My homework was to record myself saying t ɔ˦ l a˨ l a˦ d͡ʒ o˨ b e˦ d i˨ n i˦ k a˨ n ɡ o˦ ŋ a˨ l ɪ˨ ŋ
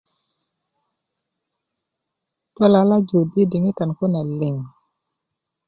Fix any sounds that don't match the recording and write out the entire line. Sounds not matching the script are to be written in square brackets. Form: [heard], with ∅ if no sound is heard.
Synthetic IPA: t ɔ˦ l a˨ l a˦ d͡ʒ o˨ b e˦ d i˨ [ŋ] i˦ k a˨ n [k] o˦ [n] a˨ l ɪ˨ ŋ